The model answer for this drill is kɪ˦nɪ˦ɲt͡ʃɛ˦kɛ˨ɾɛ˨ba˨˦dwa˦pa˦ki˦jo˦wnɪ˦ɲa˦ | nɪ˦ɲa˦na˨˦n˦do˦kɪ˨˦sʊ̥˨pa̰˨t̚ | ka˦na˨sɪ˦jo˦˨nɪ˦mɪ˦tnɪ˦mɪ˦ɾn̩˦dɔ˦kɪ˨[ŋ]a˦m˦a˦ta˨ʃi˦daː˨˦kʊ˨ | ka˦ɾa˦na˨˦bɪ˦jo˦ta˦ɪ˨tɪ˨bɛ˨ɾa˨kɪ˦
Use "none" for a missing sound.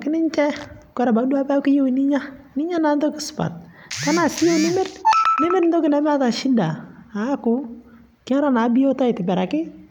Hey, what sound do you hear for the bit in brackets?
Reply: n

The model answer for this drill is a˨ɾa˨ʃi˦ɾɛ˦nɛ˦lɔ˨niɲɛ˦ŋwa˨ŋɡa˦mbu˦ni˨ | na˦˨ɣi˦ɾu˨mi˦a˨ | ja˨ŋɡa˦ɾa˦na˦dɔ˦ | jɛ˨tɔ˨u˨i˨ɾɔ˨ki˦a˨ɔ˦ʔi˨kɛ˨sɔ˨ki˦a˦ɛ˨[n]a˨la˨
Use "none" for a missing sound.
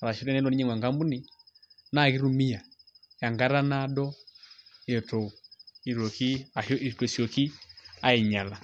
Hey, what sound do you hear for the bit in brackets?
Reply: ɲ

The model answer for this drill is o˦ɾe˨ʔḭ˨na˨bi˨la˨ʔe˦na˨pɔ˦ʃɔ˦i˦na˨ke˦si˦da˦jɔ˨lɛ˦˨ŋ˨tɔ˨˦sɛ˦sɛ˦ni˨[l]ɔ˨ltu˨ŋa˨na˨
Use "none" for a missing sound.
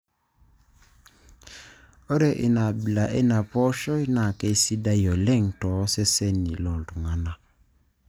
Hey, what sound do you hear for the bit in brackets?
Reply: l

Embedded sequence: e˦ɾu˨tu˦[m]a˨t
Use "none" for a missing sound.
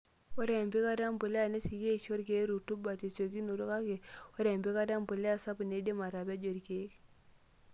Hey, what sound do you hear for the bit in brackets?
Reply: b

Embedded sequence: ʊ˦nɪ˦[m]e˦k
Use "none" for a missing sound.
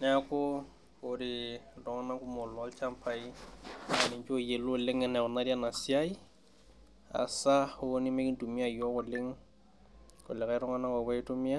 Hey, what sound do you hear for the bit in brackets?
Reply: m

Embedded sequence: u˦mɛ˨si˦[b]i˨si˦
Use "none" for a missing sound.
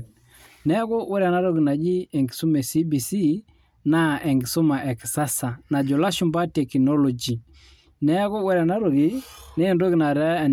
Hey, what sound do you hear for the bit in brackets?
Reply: b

